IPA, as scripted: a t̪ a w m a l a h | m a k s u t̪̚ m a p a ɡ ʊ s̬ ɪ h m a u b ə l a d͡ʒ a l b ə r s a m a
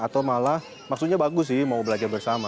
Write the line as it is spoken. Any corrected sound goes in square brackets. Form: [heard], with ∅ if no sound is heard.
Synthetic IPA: a t̪ a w m a l a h | m a k s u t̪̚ [ɲ] a [b] a ɡ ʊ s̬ ɪ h m a u b ə l a d͡ʒ a [r] b ə r s a m a